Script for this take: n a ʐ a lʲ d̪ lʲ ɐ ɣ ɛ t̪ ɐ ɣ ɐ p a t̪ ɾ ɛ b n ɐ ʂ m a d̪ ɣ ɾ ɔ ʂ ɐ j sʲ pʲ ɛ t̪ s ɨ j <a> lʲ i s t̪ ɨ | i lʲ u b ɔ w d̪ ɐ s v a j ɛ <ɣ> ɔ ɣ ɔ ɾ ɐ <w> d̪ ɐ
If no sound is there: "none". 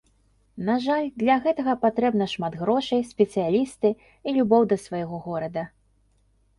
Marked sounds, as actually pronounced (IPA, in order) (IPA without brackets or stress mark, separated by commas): a, ɣ, none